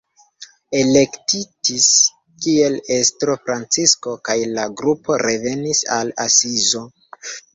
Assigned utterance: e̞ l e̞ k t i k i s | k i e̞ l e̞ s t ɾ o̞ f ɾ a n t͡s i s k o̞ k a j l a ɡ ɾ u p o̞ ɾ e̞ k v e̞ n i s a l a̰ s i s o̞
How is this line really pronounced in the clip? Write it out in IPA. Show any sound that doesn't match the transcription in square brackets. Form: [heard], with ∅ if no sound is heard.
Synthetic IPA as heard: e̞ l e̞ k t i [t] i s | k i e̞ l e̞ s t ɾ o̞ f ɾ a n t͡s i s k o̞ k a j l a ɡ ɾ u p o̞ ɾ e̞ [∅] v e̞ n i s a l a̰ s i [z] o̞